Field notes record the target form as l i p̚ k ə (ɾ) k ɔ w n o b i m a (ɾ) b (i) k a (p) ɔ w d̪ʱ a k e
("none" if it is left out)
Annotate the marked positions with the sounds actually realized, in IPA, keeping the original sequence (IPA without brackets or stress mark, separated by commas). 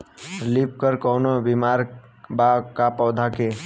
ɾ, ɾ, a, p